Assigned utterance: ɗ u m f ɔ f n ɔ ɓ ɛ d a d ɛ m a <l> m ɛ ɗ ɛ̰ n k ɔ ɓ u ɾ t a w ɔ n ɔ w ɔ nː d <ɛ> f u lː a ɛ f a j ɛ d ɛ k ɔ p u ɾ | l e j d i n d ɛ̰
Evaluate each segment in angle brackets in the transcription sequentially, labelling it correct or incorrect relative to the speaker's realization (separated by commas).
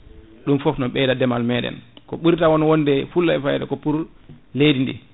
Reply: correct, correct